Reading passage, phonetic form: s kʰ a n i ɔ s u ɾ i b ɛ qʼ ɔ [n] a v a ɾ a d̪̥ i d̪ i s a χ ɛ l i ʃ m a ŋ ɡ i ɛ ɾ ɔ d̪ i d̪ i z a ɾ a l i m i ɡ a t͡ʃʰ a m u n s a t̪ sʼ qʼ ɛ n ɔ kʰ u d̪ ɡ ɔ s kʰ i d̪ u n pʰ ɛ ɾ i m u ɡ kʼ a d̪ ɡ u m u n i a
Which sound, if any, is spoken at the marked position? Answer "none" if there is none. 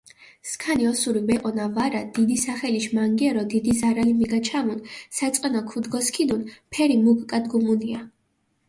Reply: n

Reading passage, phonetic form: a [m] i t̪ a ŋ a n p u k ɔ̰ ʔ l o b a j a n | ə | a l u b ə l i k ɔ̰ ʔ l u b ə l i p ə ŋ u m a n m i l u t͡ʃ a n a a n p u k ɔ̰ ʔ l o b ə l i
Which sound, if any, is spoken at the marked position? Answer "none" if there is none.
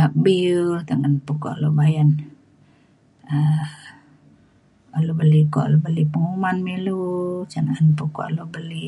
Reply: b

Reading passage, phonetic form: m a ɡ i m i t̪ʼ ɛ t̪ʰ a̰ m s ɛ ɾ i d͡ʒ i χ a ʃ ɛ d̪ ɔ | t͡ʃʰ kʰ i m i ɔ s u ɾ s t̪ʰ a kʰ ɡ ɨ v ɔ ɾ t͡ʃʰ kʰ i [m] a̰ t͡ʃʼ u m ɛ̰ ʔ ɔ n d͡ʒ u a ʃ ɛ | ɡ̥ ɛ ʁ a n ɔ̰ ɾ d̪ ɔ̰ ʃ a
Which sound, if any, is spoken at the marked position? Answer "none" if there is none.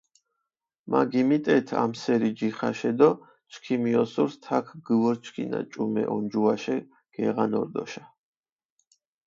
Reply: n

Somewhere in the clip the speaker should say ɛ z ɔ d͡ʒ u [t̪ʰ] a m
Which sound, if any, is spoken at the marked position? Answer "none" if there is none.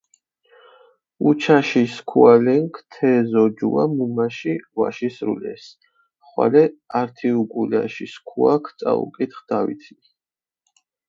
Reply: none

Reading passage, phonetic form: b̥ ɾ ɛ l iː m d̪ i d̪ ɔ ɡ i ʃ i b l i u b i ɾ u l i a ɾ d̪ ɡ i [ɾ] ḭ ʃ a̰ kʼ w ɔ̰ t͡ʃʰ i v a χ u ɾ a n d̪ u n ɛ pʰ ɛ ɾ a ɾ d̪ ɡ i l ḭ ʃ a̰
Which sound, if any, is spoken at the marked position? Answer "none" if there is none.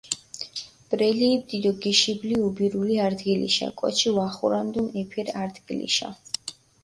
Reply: l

